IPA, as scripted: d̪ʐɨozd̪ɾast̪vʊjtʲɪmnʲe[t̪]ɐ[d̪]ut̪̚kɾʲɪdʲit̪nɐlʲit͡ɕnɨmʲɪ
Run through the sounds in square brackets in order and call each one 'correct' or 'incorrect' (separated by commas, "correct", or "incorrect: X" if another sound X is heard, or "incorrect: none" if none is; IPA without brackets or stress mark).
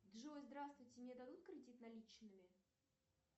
incorrect: d̪, correct